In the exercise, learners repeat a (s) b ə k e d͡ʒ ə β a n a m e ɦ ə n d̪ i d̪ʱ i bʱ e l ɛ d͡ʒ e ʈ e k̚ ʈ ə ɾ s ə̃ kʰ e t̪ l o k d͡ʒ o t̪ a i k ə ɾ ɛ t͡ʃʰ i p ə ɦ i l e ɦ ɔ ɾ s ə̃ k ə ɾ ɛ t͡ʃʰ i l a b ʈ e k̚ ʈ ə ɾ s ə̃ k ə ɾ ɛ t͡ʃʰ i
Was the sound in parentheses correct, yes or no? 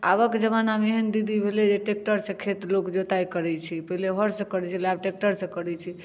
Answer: no